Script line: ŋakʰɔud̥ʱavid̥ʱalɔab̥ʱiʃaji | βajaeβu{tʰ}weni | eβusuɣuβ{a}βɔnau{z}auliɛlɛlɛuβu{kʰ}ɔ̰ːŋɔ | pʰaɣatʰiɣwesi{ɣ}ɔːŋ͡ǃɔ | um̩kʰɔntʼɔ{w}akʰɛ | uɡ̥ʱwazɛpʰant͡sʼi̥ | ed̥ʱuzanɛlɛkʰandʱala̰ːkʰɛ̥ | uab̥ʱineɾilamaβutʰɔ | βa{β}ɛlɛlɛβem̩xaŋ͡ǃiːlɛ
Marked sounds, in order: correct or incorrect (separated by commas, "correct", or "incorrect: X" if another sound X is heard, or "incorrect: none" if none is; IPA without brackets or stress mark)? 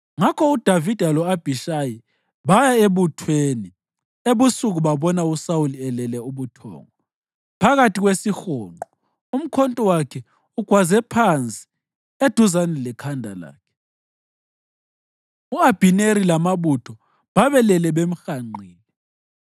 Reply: correct, correct, incorrect: s, incorrect: tʰ, incorrect: x, correct, correct